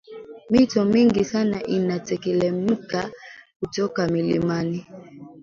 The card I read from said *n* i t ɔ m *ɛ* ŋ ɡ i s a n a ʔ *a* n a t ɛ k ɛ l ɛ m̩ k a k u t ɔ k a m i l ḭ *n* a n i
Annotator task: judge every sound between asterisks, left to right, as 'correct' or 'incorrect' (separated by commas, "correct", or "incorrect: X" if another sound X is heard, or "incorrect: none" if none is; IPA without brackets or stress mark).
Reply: incorrect: m, incorrect: i, incorrect: i, incorrect: m